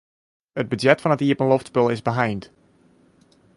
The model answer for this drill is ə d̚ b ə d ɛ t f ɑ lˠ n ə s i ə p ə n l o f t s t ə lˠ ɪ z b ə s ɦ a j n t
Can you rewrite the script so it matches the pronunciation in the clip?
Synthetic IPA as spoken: ə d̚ b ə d ɛ t f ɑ n ə t i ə p ə n l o f t s p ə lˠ ɪ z b ə ɦ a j n t